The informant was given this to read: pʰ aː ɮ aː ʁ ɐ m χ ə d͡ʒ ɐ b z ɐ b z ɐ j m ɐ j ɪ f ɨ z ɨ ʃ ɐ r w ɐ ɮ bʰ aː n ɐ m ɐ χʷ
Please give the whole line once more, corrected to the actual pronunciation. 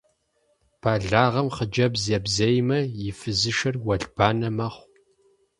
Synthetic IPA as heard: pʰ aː ɮ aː ʁ ɐ m χ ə d͡ʒ ɐ b z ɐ b z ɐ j m ɐ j ɪ f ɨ z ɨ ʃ ɐ r w ɐ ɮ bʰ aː n ɐ m ɐ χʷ